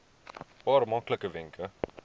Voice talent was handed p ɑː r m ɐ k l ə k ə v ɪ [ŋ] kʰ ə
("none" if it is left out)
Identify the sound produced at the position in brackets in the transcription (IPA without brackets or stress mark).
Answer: ŋ